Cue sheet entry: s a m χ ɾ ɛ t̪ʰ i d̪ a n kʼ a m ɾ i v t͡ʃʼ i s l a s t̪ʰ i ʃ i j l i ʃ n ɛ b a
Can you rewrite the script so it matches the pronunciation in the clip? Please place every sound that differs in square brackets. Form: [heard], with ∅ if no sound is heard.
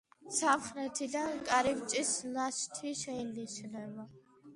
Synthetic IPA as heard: s a m χ ɾ ɛ t̪ʰ i d̪ a n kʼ a [∅] ɾ i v t͡ʃʼ i s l a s t̪ʰ i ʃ [ɛ] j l i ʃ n ɛ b a